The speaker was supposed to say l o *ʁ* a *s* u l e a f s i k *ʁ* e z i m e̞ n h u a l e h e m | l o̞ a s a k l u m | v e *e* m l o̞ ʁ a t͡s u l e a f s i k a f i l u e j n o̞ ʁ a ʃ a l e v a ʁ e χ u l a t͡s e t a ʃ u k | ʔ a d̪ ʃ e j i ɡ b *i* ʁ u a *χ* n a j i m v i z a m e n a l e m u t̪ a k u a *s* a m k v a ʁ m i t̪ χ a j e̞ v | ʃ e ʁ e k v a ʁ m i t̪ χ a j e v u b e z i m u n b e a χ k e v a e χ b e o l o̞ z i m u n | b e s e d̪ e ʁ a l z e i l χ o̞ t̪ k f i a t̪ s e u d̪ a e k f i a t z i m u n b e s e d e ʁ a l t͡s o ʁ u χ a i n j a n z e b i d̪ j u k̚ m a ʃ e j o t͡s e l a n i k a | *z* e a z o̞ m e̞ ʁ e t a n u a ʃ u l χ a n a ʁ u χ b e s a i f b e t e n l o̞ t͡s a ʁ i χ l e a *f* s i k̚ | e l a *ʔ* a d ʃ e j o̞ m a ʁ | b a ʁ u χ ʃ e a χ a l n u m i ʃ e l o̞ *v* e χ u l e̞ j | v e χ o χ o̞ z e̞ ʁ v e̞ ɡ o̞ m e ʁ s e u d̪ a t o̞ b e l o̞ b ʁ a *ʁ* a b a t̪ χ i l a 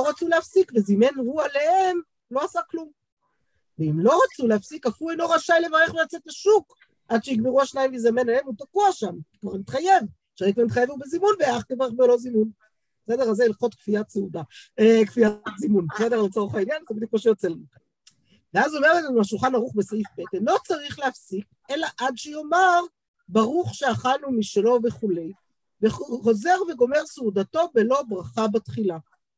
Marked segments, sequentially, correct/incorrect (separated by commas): correct, incorrect, incorrect, incorrect, incorrect, incorrect, incorrect, incorrect, correct, correct, correct, incorrect